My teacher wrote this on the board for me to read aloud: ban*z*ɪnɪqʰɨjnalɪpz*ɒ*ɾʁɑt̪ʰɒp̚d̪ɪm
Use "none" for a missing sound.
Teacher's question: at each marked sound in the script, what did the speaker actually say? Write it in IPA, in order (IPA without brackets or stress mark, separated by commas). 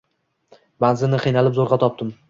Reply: z, o